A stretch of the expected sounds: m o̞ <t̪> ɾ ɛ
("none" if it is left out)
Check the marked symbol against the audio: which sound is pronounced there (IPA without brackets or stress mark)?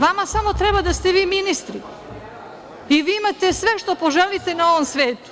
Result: t̪